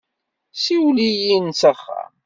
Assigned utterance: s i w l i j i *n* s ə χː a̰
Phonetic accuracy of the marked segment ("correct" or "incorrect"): correct